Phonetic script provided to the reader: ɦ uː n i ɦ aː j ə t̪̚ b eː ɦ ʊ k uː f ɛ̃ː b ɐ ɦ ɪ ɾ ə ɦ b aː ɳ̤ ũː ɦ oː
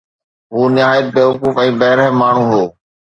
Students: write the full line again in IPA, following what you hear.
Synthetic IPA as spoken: ɦ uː n ɪ ɦ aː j ə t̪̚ b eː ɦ ʊ k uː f ɛ̃ː b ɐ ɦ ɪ ɾ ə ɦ m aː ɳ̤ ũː ɦ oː